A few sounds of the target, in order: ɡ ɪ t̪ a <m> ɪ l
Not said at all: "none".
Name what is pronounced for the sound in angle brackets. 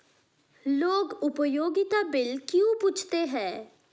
b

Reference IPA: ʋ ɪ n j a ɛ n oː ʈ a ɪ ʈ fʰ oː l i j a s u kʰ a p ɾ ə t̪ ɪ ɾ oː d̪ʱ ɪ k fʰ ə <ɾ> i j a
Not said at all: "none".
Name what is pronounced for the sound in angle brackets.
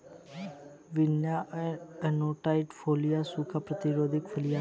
l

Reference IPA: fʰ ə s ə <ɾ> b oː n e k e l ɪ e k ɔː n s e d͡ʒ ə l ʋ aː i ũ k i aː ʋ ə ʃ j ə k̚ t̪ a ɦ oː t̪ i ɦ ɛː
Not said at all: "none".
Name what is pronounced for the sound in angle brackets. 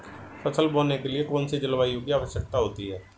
l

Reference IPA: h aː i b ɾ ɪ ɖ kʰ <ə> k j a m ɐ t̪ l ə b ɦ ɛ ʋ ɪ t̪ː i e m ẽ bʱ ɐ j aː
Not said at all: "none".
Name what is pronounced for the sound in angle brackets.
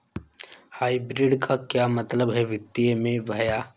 a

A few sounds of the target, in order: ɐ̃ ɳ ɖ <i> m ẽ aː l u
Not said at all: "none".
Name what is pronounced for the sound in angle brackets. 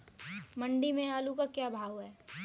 i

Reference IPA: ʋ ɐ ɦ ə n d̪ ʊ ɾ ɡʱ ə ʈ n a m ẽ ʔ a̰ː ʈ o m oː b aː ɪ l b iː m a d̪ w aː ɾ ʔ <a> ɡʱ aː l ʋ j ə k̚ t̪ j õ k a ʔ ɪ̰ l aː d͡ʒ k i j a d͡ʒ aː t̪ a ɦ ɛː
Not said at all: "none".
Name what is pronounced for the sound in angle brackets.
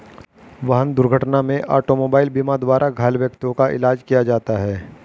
a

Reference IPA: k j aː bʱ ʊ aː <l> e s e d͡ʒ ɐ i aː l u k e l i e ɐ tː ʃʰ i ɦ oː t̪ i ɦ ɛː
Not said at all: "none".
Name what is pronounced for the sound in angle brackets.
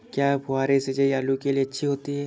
ɾ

